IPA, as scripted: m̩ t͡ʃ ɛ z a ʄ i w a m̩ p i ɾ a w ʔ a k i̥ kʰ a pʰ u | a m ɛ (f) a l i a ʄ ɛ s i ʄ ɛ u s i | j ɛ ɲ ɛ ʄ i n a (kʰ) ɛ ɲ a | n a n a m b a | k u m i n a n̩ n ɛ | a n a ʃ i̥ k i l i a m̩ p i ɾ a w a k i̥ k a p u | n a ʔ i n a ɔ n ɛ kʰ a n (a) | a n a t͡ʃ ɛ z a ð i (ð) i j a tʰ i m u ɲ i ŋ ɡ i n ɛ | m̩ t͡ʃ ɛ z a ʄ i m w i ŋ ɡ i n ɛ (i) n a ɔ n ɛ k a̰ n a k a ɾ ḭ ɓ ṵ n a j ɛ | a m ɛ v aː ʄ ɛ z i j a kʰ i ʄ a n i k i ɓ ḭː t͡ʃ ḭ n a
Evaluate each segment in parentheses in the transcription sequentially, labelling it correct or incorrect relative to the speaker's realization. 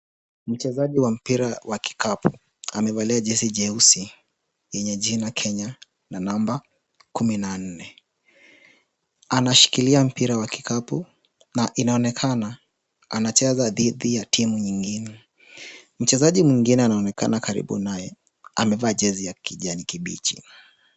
incorrect, correct, correct, correct, incorrect

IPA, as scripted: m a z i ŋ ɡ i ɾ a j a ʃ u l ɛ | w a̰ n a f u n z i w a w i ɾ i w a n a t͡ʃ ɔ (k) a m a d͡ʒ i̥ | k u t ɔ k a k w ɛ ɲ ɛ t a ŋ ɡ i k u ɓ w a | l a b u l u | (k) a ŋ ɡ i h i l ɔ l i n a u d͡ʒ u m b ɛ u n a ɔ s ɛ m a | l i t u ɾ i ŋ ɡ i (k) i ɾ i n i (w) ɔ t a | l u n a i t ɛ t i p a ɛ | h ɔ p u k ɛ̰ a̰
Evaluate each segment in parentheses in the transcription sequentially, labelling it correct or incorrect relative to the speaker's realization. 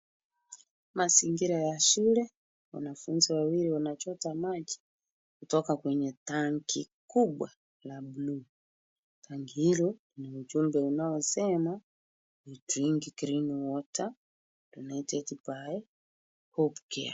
incorrect, incorrect, correct, correct

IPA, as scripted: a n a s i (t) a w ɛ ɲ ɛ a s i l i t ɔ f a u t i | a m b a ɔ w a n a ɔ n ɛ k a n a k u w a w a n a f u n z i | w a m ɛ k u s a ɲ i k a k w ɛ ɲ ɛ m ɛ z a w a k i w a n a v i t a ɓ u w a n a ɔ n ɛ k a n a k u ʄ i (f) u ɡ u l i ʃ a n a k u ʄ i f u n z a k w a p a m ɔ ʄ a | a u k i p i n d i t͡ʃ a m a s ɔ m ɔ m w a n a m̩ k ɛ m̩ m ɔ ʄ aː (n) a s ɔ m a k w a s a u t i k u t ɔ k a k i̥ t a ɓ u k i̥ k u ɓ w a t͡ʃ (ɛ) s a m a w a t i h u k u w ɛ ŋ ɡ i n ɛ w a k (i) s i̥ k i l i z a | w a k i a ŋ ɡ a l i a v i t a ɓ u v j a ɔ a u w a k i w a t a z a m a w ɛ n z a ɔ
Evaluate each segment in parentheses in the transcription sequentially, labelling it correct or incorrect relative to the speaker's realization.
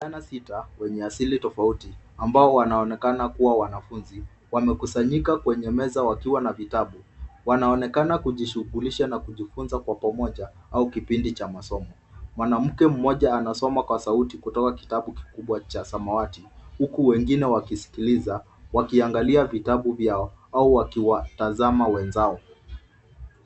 correct, incorrect, correct, incorrect, correct

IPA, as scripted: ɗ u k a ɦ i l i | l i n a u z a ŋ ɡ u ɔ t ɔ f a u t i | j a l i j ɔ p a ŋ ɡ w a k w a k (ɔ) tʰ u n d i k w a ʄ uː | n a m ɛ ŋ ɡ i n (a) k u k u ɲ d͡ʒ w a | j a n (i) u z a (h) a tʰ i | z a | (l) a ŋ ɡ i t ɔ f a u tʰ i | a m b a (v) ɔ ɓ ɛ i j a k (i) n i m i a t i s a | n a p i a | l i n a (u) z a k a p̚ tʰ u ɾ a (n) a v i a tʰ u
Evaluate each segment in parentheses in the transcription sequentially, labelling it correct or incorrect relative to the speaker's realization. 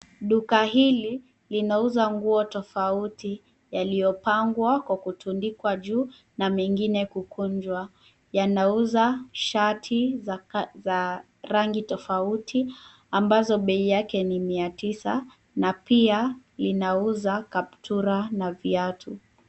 incorrect, incorrect, incorrect, incorrect, incorrect, incorrect, incorrect, correct, correct

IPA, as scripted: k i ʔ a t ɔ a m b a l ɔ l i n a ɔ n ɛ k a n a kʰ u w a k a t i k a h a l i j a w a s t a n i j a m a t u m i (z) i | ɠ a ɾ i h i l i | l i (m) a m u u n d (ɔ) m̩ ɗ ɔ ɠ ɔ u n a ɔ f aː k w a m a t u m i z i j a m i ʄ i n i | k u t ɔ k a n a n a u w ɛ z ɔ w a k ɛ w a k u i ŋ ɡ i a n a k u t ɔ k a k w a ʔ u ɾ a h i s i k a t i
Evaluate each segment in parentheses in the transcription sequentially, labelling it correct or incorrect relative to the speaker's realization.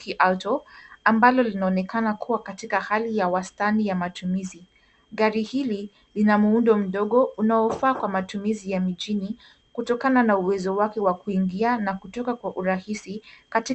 correct, incorrect, correct

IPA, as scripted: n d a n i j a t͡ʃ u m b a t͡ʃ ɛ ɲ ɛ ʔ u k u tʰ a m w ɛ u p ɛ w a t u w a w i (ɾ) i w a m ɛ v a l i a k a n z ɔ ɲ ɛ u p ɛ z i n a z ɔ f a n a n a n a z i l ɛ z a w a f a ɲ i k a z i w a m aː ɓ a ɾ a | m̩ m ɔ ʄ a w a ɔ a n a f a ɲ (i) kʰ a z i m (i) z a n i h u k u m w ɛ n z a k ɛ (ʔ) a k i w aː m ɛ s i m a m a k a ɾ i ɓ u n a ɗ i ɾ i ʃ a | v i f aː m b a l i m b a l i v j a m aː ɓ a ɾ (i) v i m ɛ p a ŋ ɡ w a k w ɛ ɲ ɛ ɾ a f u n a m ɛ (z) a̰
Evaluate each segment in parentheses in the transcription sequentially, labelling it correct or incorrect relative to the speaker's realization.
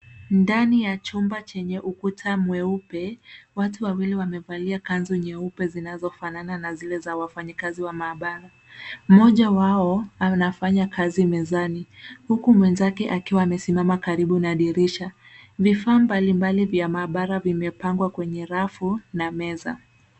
incorrect, incorrect, incorrect, correct, incorrect, correct

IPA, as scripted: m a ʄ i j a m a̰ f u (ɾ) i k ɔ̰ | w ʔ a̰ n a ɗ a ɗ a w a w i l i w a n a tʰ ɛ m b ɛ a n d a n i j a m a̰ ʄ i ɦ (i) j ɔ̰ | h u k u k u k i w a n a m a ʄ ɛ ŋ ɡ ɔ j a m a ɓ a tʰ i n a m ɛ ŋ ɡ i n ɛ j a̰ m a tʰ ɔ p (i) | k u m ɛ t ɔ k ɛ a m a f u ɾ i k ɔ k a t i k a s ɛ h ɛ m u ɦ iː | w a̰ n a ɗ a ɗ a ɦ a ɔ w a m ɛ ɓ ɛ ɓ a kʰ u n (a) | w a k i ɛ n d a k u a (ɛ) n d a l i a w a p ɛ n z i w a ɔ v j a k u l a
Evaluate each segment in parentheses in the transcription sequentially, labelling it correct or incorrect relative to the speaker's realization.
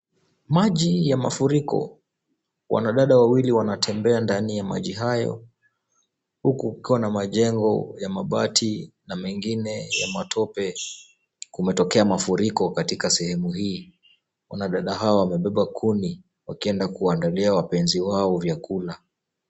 correct, incorrect, incorrect, incorrect, incorrect

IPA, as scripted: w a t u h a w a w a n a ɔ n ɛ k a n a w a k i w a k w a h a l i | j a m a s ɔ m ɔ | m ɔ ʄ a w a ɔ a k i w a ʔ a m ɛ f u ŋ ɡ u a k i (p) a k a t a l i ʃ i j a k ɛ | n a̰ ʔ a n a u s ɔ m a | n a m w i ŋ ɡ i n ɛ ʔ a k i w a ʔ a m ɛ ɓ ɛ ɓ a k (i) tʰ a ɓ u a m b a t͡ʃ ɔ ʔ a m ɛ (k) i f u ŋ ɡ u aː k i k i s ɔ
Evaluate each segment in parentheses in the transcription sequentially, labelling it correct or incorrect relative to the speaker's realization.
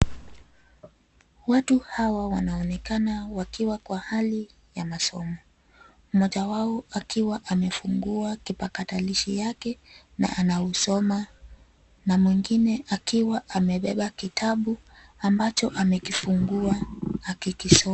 correct, correct, correct

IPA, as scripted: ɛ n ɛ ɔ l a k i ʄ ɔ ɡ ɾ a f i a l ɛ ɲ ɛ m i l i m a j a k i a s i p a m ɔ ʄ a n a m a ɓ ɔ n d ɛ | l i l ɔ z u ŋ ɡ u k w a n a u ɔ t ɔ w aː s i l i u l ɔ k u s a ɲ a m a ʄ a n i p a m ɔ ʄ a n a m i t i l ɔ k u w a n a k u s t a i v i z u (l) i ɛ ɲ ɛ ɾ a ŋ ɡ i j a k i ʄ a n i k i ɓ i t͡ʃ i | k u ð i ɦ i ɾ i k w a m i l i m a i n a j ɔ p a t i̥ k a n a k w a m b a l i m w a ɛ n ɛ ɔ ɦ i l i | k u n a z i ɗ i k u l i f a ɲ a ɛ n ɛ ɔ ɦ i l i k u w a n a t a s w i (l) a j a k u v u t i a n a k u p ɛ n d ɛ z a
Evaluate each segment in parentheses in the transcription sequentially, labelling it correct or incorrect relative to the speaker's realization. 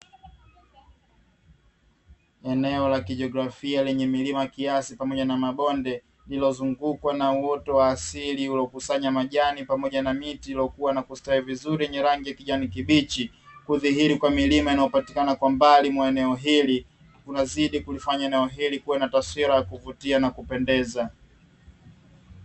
incorrect, incorrect

